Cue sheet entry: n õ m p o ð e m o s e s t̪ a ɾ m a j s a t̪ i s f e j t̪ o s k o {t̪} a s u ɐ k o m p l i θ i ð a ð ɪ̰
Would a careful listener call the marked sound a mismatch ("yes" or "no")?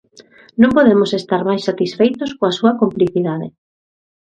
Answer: yes